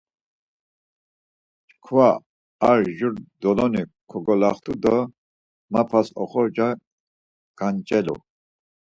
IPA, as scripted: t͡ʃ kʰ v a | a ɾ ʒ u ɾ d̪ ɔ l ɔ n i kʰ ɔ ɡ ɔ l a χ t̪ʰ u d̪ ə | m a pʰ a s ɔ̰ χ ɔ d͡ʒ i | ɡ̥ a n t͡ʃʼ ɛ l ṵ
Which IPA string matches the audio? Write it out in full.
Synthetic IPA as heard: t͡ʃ kʰ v a | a ɾ ʒ u ɾ d̪ ɔ l ɔ n i kʰ ɔ ɡ ɔ l a χ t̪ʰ u d̪ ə | m a pʰ a s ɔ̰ χ ɔ d͡ʒ a | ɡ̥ a n t͡ʃʼ ɛ l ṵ